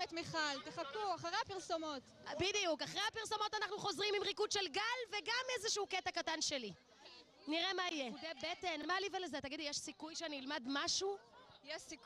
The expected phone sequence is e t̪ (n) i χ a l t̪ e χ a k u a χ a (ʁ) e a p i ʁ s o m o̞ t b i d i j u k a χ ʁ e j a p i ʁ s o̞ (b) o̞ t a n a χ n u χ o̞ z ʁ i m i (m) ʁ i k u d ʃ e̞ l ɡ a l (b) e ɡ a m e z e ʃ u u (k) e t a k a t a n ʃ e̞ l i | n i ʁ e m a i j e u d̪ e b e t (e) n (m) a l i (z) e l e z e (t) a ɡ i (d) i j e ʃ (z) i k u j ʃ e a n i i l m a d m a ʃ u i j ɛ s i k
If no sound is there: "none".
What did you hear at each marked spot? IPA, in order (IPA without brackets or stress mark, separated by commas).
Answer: m, ʁ, m, m, v, k, e, m, v, t, d, s